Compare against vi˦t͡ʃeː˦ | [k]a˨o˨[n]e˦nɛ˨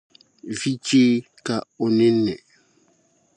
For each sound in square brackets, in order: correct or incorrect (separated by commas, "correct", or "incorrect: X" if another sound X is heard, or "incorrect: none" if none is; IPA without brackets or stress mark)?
correct, correct